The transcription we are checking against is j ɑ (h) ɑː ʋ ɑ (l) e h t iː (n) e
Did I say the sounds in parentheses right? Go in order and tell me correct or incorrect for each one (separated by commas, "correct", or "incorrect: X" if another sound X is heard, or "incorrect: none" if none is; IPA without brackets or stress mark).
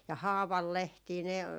correct, incorrect: lː, correct